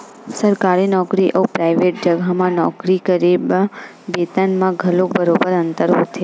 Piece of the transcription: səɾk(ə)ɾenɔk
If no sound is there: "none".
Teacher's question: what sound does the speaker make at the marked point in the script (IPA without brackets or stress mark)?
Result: a